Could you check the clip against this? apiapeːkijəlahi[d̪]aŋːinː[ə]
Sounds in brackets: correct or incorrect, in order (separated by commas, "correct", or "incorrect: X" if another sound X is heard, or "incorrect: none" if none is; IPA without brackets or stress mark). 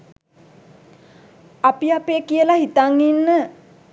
incorrect: t̪, correct